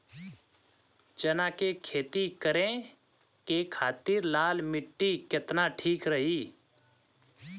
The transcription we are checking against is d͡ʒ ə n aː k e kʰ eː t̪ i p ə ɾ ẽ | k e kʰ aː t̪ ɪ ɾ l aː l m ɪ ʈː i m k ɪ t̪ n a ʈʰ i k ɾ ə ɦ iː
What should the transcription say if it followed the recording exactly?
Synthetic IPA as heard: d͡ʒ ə n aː k e kʰ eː t̪ i k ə ɾ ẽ | k e kʰ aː t̪ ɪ ɾ l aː l m ɪ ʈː i k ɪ t̪ n a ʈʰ iː k ɾ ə ɦ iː